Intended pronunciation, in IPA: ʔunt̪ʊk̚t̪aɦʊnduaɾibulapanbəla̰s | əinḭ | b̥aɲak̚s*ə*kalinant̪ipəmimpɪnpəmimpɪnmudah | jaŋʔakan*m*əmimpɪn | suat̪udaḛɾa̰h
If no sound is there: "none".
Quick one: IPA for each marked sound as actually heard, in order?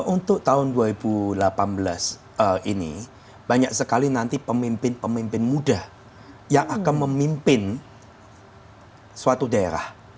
ə, m

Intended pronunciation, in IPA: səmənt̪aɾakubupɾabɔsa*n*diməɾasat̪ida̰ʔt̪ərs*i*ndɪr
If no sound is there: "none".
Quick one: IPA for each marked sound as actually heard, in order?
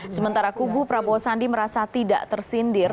n, i

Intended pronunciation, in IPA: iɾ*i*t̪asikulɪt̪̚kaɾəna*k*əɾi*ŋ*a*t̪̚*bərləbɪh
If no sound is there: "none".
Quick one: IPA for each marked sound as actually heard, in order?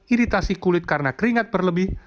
i, k, ŋ, t̪̚

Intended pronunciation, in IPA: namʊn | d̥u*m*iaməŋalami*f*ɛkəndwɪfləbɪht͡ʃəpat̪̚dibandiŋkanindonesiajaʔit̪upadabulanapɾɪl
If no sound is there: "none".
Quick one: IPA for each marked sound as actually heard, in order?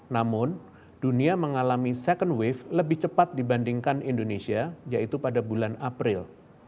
n, s

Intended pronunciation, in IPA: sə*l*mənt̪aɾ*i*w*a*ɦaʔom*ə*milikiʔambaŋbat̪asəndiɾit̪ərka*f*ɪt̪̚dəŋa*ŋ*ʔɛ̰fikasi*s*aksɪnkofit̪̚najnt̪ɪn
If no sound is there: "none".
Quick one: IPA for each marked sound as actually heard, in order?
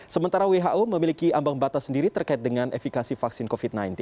none, a, e, ə, none, n, f

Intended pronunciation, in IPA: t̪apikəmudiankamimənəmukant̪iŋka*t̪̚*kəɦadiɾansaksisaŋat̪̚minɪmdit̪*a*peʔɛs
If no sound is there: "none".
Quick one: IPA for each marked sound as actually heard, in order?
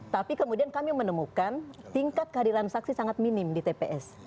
t̪̚, e

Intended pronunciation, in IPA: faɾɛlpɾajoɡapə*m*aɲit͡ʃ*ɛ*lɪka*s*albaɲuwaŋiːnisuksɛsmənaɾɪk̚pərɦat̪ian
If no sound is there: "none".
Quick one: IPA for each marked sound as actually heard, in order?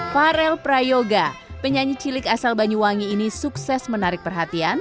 ɲ, i, s

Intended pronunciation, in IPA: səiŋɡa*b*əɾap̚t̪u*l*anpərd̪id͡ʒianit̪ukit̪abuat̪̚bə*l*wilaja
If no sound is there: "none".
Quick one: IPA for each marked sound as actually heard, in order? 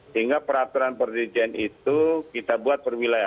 p, ɾ, r

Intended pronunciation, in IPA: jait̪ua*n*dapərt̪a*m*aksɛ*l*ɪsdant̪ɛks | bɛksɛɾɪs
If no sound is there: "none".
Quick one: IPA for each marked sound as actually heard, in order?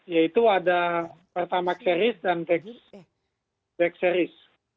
none, m, ɾ

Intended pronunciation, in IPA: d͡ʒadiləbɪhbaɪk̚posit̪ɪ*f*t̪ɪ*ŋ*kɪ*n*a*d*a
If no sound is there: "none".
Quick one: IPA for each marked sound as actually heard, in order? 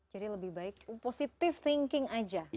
f, ŋ, ŋ, d͡ʒ

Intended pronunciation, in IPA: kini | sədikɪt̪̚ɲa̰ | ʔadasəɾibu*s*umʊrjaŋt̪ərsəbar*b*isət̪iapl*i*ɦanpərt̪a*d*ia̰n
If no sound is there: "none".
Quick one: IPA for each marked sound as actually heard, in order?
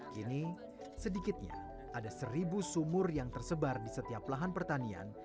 s, d, a, n

